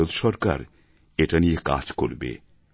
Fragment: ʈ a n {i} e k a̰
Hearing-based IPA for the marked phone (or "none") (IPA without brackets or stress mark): i